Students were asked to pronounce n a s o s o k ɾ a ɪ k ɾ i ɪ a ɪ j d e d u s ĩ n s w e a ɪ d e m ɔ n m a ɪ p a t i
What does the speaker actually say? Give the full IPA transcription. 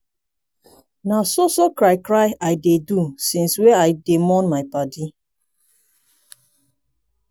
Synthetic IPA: n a s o s o k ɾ a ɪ k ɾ a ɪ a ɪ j d e d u s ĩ n s w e a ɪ d e m ɔ n m a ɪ p a d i